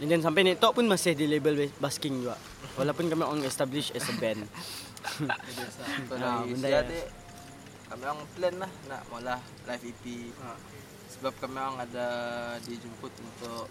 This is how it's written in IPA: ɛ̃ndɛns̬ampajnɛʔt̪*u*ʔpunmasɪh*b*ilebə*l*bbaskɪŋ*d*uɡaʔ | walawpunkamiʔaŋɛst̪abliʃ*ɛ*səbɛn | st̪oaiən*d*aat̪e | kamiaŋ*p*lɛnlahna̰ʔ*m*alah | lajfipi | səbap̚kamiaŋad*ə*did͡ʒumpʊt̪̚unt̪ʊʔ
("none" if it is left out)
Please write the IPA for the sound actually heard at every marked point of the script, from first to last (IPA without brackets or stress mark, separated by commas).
ɔ, d, l, d͡ʒ, ɛ, d, p, m, a